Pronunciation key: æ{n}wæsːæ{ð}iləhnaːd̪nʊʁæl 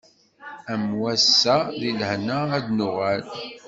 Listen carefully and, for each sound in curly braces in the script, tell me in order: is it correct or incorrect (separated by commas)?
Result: incorrect, correct